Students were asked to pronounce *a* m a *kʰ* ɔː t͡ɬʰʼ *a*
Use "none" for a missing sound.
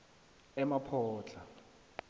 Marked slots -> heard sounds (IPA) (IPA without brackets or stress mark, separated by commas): ɛ, pʰ, a